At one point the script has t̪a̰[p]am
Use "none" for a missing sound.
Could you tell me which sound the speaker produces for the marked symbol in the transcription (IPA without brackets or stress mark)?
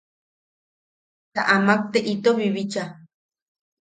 ʔ